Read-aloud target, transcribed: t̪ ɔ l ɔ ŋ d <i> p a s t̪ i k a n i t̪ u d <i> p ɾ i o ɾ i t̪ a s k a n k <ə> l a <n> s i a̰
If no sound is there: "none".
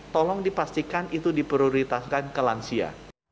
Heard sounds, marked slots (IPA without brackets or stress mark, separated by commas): i, i, ə, n